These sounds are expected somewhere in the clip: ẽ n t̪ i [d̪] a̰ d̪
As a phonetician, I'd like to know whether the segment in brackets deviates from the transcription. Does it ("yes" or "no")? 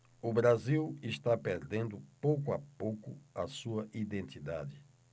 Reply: no